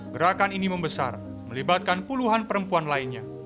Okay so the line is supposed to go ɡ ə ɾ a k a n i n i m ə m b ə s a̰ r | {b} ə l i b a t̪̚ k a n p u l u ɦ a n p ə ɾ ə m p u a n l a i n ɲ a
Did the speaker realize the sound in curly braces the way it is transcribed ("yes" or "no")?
no